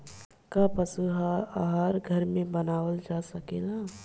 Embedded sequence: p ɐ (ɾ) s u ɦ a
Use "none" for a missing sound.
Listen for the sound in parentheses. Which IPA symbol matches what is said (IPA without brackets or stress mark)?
none